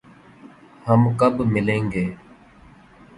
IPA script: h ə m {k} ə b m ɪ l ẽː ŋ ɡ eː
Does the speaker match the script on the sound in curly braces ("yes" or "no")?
yes